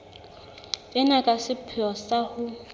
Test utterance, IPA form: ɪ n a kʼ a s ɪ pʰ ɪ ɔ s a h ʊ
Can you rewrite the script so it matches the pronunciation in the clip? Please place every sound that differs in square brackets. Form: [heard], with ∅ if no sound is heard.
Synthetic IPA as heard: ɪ n a kʼ a s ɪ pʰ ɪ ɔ s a h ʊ